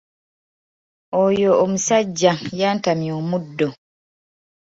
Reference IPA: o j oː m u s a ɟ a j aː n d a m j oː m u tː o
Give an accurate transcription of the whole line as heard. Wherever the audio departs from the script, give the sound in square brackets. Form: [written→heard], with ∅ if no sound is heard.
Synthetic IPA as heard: o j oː m u s a [ɟ→ɟː] a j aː n [d→t] a m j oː m u [tː→dː] o